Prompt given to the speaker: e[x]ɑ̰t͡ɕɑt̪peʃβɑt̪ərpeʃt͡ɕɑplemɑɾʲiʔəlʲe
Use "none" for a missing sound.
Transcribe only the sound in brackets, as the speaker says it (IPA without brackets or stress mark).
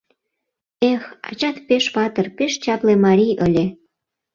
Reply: x